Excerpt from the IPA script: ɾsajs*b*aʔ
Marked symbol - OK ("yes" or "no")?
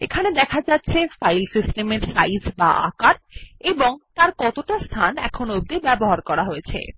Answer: yes